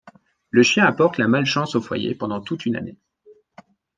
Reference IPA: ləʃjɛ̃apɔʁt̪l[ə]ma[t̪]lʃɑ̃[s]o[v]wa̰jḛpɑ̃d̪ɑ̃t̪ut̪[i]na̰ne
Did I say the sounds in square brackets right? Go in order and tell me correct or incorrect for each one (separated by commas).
incorrect, incorrect, correct, incorrect, incorrect